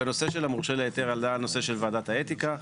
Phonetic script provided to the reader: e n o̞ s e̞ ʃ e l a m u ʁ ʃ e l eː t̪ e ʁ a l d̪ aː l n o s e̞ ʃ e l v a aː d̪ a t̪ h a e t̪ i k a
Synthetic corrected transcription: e n o̞ s e̞ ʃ e l a m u ʁ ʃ e l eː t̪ e ʁ a l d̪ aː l n o s e̞ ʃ e l v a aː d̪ a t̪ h a e t̪ i k a